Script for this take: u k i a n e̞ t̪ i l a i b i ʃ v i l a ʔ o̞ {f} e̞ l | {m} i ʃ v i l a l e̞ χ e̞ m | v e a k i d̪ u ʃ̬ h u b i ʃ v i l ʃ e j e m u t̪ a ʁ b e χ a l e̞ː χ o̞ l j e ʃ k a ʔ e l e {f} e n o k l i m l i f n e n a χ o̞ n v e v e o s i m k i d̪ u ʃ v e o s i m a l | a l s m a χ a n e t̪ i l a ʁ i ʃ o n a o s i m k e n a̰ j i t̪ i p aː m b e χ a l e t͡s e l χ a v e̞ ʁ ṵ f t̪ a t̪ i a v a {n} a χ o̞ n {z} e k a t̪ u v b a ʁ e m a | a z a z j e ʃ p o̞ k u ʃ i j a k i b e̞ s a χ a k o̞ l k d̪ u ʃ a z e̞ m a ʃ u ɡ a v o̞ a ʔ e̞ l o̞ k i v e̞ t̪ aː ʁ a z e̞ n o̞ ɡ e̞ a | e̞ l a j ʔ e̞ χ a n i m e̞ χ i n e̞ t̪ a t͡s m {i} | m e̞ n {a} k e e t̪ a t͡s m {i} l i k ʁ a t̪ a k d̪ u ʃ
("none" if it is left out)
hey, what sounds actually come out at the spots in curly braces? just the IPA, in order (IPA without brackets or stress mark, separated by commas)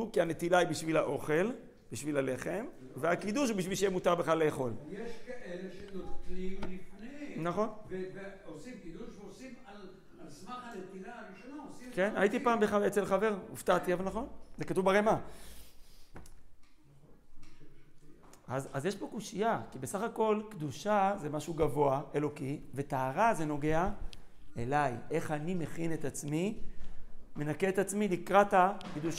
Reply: χ, b, ʃ, n, z, i, a, i